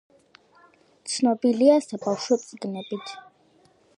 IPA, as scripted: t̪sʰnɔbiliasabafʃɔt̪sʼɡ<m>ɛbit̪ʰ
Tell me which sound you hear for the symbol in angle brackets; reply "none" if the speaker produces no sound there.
n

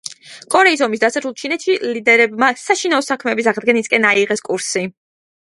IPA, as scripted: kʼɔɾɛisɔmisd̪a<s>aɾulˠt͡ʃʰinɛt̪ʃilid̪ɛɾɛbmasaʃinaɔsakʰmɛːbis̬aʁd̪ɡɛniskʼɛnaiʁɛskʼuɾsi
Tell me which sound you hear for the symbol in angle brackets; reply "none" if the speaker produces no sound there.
s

